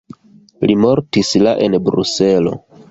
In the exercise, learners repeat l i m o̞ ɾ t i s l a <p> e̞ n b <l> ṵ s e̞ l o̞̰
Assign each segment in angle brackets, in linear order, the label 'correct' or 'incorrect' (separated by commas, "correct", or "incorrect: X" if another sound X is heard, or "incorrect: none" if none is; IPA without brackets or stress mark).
incorrect: ʔ, incorrect: ɾ